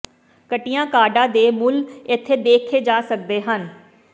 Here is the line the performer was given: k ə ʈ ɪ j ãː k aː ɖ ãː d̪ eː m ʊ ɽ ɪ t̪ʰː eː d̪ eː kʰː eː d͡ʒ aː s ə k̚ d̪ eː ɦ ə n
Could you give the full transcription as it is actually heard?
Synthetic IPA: k ə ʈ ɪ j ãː k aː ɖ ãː d̪ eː m ʊ l ɪ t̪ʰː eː d̪ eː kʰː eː d͡ʒ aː s ə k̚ d̪ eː ɦ ə n

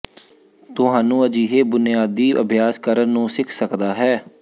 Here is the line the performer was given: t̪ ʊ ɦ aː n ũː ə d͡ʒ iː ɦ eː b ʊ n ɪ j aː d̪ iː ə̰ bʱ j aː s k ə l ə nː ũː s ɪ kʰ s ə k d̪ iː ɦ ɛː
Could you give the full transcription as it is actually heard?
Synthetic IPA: t̪ ʊ ɦ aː n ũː ə d͡ʒ iː ɦ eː b ʊ n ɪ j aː d̪ iː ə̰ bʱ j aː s k ə ɾ ə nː ũː s ɪ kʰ s ə k d̪ aː ɦ ɛː

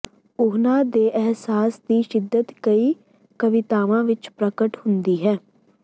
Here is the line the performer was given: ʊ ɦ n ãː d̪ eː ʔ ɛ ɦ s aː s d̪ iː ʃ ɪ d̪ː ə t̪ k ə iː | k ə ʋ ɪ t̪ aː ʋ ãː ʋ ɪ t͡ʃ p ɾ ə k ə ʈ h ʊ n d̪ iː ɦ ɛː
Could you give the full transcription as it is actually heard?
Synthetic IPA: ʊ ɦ n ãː d̪ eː ʔ ɛ ɦ s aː s d̪ iː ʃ ɪ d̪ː ə t̪ k ə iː | k ə ʋ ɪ t̪ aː ʋ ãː ʋ ɪ t͡ʃ p ɾ ə k ə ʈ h ʊ n d̪ iː ɦ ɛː

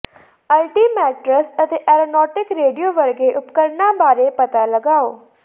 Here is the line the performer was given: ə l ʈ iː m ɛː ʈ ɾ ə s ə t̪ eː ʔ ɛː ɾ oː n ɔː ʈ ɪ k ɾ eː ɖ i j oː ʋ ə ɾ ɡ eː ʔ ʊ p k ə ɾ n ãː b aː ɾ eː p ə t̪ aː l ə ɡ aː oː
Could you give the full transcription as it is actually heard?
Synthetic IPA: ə l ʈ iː m ɛː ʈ ɾ ə s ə t̪ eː ʔ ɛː ɾ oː n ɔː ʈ ɪ k ɾ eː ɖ i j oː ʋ ə ɾ ɡ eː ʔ ʊ p k ə ɾ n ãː b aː ɾ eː p ə t̪ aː l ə ɡ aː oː

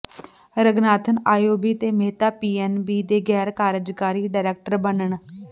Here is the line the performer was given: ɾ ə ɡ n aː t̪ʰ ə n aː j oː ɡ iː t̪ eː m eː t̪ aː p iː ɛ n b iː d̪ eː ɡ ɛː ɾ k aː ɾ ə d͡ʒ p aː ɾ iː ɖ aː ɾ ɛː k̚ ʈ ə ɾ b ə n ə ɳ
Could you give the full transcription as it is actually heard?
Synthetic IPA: ɾ ə ɡ n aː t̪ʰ ə n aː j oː b iː t̪ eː m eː t̪ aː p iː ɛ n b iː d̪ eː ɡ ɛː ɾ k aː ɾ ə d͡ʒ k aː ɾ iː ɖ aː ɾ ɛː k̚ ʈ ə ɾ b ə n ə ɳ

